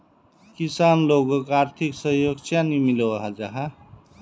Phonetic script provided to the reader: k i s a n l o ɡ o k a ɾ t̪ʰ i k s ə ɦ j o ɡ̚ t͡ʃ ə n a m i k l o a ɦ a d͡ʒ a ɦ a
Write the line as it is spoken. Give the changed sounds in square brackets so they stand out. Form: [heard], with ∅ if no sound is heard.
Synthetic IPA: k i s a n l o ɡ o k a ɾ t̪ʰ i k s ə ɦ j o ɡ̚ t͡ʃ [a] n [i] m i [∅] l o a ɦ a d͡ʒ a ɦ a